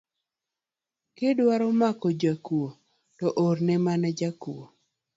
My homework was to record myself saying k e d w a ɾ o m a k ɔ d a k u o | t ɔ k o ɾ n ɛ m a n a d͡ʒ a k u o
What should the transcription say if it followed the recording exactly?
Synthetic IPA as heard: k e d w a ɾ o m a k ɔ d͡ʒ a k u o | t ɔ ʔ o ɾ n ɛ m a n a d͡ʒ a k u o